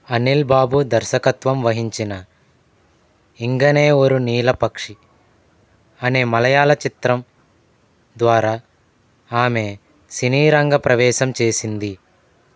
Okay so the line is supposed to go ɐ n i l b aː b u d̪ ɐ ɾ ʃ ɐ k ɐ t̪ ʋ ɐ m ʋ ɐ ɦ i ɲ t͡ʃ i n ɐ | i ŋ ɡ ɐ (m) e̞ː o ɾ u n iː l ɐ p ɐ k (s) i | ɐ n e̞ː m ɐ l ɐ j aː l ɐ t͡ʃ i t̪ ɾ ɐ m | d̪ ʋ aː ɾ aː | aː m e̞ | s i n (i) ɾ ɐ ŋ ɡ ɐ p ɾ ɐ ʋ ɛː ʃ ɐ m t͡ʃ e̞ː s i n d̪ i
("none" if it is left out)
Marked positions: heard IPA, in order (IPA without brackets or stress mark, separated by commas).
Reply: n, ʂ, iː